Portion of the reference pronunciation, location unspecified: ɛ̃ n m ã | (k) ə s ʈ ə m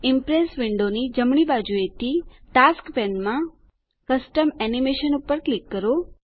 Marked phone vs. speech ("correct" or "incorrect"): correct